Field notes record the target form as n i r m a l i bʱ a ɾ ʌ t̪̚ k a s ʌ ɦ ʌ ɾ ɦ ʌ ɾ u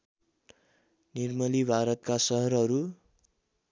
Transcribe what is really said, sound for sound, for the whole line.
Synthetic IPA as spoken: n i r m ʌ l i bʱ a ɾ ʌ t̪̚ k a s ʌ ɦ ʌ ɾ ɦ ʌ ɾ u